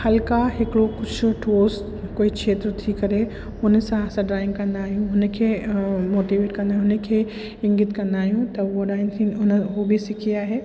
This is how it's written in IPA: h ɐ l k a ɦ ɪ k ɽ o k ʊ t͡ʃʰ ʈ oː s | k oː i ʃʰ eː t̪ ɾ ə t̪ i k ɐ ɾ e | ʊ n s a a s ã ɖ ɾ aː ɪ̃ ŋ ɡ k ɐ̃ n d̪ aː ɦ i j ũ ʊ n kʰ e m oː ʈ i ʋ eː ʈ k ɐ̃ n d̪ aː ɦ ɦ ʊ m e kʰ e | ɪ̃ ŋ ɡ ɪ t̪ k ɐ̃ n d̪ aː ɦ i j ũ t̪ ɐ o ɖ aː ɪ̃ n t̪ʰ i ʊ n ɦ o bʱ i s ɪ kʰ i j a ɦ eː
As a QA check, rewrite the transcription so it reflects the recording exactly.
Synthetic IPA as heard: h ɐ l k a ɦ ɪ k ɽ o k ʊ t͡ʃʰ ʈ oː s | k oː i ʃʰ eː t̪ ɾ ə t̪ʰ i k ɐ ɾ e | ʊ n s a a s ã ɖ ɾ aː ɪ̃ ŋ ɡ k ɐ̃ n d̪ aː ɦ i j ũ ʊ n kʰ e m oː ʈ i ʋ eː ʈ k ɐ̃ n d̪ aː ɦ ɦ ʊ n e kʰ e | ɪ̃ ŋ ɡ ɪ t̪ k ɐ̃ n d̪ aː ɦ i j ũ t̪ ɐ o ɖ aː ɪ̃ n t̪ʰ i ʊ n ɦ o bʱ i s ɪ kʰ i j a ɦ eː